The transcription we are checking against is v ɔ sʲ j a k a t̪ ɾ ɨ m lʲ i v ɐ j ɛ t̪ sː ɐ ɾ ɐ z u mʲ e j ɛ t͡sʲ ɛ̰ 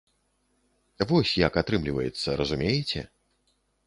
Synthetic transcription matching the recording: v ɔ sʲ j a k a t̪ ɾ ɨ m lʲ i v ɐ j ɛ t̪ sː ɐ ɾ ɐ z u mʲ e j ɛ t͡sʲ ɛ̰